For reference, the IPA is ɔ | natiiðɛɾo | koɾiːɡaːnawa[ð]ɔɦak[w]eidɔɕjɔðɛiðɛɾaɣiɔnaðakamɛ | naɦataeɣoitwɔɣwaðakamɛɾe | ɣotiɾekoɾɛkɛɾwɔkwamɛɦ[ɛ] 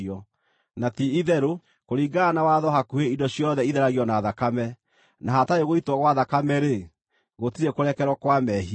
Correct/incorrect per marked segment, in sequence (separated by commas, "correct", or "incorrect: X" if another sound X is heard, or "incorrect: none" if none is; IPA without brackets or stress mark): correct, incorrect: u, incorrect: i